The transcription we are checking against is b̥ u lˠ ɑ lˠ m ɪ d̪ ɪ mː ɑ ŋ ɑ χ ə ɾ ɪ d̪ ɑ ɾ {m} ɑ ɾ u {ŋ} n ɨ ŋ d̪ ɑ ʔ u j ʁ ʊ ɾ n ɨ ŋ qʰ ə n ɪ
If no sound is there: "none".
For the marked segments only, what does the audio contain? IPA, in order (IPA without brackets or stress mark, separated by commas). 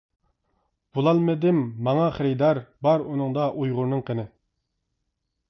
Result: b, none